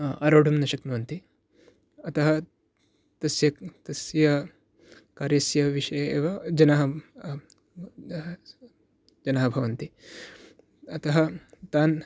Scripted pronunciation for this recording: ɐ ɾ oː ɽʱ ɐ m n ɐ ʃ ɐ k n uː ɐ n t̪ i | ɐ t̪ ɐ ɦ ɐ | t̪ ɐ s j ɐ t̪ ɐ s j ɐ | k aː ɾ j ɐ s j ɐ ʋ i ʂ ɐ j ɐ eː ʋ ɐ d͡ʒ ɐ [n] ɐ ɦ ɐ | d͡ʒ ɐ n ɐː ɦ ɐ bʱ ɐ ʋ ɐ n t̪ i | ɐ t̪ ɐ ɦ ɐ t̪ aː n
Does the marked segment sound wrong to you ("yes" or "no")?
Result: no